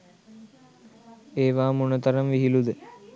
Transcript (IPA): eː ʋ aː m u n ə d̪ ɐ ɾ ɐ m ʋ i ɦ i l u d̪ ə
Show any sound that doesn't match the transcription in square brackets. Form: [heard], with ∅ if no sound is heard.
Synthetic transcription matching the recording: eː ʋ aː m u n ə [t̪] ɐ ɾ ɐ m ʋ i ɦ i l u d̪ ə